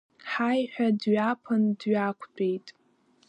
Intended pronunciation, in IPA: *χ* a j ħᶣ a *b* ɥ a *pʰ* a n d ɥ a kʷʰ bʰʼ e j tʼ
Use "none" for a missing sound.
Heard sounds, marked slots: ħ, d, pʰ

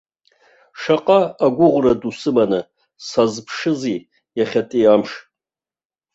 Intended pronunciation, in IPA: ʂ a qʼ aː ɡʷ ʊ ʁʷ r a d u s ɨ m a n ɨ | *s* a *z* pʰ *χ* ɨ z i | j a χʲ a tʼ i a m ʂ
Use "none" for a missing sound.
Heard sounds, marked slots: s, z, ʂ

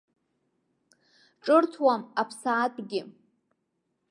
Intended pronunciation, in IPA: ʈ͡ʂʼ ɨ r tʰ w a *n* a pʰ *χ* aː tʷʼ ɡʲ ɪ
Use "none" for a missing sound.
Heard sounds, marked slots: m, s

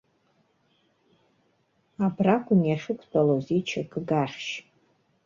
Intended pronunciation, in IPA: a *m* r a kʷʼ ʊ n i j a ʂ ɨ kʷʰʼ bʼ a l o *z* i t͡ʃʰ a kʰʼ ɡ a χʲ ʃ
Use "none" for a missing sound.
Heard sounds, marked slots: b, z

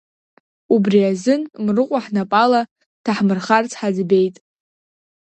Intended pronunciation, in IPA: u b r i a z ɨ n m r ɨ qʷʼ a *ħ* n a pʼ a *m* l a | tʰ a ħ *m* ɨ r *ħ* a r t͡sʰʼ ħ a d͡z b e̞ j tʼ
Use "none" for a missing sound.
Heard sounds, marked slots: ħ, none, m, χ

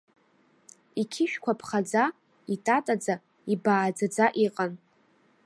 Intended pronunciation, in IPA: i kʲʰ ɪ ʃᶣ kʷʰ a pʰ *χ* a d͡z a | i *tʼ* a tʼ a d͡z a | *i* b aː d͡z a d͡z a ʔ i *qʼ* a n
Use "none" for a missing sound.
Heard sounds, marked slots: χ, tʼ, i, qʼ

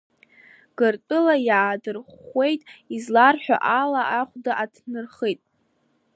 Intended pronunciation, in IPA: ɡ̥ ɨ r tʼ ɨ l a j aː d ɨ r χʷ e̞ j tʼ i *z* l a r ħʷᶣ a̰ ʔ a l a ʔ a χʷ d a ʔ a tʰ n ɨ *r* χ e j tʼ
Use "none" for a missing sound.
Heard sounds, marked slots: z, r

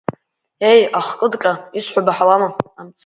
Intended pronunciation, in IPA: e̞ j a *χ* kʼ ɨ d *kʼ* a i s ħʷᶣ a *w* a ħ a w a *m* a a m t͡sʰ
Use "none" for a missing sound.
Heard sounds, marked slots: χ, kʼ, b, m

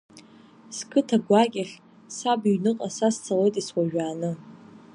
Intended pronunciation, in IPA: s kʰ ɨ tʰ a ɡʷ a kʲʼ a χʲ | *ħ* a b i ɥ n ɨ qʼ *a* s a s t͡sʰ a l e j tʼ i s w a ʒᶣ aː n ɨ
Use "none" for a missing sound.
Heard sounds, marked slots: s, a

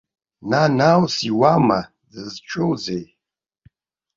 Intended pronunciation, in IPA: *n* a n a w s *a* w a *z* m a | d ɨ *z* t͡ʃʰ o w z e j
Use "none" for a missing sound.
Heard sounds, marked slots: n, i, none, z

